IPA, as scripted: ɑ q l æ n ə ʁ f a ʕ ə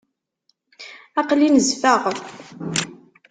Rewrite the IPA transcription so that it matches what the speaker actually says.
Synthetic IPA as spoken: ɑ q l i n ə z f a ʁ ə

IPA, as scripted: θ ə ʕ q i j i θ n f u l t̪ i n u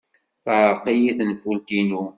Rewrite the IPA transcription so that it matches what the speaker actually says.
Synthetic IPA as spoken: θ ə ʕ q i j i θ n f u l t̪ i n u

